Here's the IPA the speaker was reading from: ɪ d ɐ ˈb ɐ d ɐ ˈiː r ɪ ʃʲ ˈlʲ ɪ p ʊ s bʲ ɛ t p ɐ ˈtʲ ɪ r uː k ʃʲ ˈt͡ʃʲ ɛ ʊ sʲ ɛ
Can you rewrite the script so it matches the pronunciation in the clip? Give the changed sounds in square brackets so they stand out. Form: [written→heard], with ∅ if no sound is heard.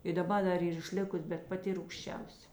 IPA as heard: ɪ d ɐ ˈb ɐ d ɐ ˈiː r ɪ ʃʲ ˈlʲ ɪ [p→k] ʊ s bʲ ɛ t p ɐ ˈtʲ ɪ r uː k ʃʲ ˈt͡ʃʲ ɛ ʊ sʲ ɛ